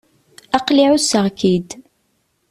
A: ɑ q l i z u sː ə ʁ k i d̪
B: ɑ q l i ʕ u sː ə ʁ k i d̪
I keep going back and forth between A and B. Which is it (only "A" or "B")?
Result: B